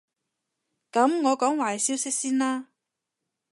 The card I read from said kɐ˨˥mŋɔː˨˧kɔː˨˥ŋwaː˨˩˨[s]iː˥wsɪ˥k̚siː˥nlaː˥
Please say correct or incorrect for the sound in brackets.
correct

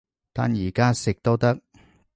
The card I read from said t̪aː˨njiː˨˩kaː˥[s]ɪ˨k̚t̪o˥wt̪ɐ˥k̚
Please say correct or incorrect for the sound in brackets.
correct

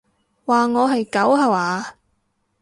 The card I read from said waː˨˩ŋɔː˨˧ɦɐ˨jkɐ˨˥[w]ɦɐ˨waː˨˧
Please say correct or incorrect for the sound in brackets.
correct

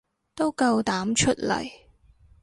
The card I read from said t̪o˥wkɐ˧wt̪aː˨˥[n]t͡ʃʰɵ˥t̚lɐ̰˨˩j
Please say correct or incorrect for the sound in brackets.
incorrect: m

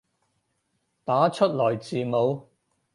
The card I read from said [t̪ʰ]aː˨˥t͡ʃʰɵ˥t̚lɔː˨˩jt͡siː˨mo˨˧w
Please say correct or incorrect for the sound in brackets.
incorrect: t̪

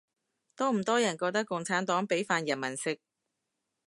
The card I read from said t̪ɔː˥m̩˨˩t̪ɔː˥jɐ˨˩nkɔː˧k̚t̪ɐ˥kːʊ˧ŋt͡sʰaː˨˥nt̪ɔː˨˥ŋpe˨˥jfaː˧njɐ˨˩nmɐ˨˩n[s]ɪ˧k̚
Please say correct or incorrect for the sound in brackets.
correct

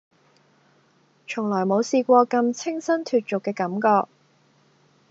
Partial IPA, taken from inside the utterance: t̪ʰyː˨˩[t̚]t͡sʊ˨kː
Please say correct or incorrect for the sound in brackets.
correct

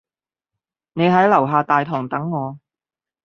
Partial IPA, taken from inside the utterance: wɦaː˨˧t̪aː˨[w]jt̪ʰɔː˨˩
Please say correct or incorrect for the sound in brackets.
incorrect: none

